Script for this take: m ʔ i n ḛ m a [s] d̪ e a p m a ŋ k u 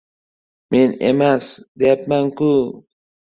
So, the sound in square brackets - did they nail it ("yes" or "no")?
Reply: yes